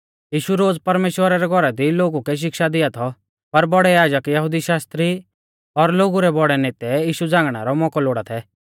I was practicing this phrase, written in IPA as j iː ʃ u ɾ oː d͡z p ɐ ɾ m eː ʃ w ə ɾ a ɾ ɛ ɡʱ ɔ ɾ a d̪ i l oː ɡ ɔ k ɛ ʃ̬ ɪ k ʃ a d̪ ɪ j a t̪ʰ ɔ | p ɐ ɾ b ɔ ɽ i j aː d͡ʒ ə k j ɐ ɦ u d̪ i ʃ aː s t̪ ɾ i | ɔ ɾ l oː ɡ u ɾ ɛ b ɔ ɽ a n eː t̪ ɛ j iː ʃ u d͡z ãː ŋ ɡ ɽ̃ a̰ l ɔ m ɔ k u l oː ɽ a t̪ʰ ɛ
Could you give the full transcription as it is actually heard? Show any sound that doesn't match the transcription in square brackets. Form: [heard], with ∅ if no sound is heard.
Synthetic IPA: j iː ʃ u ɾ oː d͡z p ɐ ɾ m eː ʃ w ə ɾ a ɾ ɛ ɡʱ ɔ ɾ a d̪ i l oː ɡ [u] k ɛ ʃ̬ ɪ k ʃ a d̪ ɪ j a t̪ʰ ɔ | p ɐ ɾ b ɔ ɽ [ɛ] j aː d͡ʒ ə k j ɐ ɦ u d̪ i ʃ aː s t̪ ɾ i | ɔ ɾ l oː ɡ u ɾ ɛ b ɔ ɽ [ɛ] n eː t̪ ɛ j iː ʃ u d͡z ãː ŋ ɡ ɽ̃ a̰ [ɾ] ɔ m ɔ k [ɔ] l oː ɽ a t̪ʰ ɛ